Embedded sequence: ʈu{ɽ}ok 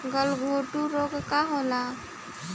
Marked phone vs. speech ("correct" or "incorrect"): incorrect